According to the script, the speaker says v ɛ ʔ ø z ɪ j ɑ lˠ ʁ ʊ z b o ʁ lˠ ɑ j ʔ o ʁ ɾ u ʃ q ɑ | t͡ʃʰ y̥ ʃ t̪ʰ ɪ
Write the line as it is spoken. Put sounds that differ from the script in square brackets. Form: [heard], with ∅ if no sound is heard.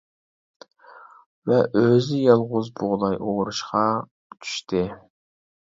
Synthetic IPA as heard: v ɛ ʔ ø z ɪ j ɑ lˠ ʁ ʊ z b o ʁ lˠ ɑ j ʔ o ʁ ɾ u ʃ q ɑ | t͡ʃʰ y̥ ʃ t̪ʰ ɪ

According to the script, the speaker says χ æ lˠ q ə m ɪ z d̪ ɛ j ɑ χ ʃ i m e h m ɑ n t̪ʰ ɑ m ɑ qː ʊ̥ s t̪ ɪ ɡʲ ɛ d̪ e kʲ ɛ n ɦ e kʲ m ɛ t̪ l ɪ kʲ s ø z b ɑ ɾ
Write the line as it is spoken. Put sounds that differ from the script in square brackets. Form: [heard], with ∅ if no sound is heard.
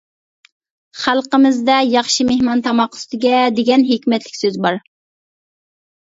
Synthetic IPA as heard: χ æ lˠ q ə m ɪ z d̪ ɛ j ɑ χ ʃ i m e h m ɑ n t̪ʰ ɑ m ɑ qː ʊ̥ s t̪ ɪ ɡʲ ɛ d̪ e [ɡʲ] ɛ n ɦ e kʲ m ɛ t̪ l ɪ kʲ s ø z b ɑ ɾ

